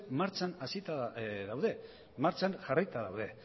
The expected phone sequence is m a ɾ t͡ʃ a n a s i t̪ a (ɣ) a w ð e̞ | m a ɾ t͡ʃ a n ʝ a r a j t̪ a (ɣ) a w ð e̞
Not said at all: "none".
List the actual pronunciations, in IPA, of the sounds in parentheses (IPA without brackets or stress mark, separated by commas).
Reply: ð, ð